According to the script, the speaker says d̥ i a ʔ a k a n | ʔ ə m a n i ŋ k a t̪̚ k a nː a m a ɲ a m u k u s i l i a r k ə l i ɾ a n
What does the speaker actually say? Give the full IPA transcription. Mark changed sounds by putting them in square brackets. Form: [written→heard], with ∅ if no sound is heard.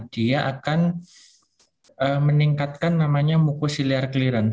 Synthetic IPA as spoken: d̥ i a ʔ a k a n | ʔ ə m [a→ə] n i ŋ k a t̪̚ k a nː a m a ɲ a m u k u s i l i a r k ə l i ɾ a n